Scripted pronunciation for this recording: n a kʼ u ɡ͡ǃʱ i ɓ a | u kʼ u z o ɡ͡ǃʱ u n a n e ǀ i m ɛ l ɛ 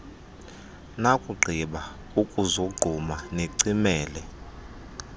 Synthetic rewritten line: n a kʼ u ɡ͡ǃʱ i ɓ a | u kʼ u z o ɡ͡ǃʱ u m a n e ǀ i m ɛː l ɛ